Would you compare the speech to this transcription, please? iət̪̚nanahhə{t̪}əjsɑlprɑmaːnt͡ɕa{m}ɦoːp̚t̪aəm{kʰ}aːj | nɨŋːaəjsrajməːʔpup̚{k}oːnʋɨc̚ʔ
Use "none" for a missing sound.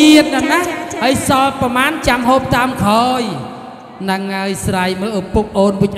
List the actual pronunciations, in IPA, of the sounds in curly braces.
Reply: none, m, kʰ, ʔ

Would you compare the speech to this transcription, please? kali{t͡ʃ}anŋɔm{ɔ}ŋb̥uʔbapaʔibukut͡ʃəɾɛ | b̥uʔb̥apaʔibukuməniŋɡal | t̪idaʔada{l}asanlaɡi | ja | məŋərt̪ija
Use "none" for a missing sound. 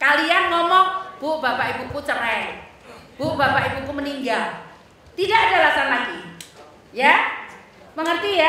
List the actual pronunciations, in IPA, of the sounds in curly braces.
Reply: none, ɔ, l

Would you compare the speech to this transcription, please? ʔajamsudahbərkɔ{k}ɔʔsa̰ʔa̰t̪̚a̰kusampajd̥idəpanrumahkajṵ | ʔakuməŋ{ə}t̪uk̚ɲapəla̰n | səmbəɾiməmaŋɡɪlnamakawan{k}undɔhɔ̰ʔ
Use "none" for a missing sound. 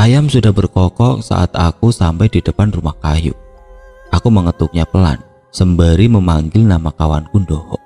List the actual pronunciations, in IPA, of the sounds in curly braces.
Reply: k, ə, k

